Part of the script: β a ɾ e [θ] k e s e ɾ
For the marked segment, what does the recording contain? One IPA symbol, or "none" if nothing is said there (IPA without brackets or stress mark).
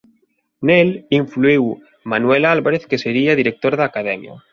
θ